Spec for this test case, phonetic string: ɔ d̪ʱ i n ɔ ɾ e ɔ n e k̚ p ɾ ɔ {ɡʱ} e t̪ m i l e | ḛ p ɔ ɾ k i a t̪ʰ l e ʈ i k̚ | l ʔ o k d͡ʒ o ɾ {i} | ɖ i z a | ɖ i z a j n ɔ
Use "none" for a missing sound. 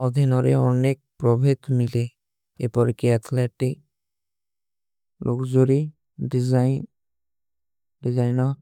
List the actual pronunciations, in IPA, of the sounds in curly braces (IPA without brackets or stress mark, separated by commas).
bʱ, i